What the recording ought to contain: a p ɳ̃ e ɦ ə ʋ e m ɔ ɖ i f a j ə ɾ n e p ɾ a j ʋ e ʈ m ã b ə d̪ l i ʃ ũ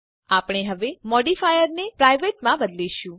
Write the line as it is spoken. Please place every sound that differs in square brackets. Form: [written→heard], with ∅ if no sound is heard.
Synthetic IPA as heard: a p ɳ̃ e ɦ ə ʋ e m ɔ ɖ i f a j ə ɾ n e p ɾ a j ʋ e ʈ m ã b ə d̪ l i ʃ ũ